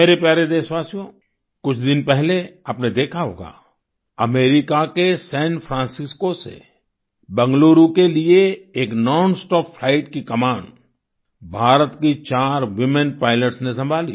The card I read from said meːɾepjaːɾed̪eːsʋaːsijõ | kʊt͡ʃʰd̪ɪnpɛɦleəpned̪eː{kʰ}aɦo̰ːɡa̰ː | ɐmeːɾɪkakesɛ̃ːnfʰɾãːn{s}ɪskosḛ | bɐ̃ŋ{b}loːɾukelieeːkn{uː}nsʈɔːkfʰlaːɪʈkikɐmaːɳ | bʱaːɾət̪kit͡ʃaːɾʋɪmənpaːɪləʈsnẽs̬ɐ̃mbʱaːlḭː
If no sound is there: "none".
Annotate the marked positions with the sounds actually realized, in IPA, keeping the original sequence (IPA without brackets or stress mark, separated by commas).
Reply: kʰ, s, ɡ, ɔː